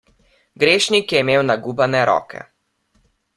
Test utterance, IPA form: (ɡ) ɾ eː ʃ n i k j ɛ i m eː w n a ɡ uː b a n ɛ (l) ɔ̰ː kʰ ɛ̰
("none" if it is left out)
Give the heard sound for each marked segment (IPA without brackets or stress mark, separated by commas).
ɡ, ɾ